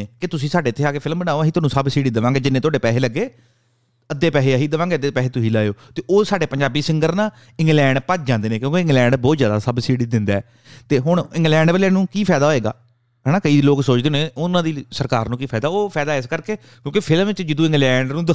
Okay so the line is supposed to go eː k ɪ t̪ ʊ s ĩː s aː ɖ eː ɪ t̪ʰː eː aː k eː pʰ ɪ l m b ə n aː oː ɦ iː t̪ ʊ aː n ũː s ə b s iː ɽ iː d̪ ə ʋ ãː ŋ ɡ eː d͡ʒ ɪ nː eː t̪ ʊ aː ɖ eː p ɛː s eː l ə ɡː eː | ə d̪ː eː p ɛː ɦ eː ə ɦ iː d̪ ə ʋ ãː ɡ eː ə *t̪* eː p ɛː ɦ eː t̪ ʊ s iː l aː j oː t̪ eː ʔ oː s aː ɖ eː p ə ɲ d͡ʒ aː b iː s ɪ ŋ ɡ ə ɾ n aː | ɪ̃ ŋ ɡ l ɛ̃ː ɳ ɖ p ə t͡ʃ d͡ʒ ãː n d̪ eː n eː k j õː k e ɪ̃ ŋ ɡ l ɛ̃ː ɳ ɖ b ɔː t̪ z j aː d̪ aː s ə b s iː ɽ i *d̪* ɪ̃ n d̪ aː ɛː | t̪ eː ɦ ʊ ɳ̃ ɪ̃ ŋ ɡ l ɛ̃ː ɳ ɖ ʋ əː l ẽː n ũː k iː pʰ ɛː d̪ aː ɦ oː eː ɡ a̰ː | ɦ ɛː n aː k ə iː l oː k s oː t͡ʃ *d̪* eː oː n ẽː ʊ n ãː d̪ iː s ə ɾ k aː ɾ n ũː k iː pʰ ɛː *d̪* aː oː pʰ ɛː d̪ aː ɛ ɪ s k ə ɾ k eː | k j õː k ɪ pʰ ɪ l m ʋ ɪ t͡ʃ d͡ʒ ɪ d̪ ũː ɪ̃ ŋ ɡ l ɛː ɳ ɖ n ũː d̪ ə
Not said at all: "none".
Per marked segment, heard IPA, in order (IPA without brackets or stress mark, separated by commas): d̪, d̪, d̪, d̪